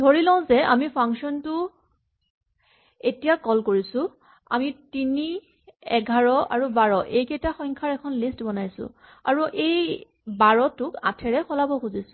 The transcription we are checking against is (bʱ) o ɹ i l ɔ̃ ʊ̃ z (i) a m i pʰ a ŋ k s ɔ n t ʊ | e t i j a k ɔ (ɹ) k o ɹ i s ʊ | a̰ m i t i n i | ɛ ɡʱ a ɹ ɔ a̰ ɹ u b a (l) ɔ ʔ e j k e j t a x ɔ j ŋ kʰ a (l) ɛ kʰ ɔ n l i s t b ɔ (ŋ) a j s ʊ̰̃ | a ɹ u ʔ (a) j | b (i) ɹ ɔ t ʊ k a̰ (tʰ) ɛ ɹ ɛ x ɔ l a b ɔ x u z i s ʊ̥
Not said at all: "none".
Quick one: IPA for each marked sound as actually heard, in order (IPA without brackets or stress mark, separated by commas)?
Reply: dʱ, ɛ, l, ɹ, ɹ, n, e, a, tʰ